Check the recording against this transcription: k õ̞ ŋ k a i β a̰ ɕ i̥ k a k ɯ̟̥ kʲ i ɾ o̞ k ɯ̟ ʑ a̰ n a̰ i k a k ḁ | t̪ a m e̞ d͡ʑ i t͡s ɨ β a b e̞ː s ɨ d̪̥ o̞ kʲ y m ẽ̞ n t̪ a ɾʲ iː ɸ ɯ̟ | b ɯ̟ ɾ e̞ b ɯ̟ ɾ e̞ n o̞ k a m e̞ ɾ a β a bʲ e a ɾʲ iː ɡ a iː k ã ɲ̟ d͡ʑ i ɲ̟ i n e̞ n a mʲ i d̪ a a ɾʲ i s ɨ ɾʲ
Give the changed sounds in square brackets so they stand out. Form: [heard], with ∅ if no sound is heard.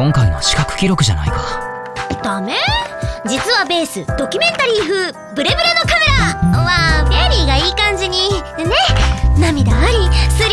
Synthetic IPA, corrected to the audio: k õ̞ ŋ k a i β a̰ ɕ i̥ k a k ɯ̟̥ kʲ i ɾ o̞ k ɯ̟ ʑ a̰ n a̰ i k a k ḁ | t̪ a m e̞ d͡ʑ i t͡s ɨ β a b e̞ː s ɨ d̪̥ o̞ kʲ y m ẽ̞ n t̪ a ɾʲ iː ɸ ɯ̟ | b ɯ̟ ɾ e̞ b ɯ̟ ɾ e̞ n o̞ k a m e̞ ɾ a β a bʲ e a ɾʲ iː ɡ a iː k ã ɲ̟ d͡ʑ i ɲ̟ i n e̞ n a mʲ i d̪ a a ɾʲ i s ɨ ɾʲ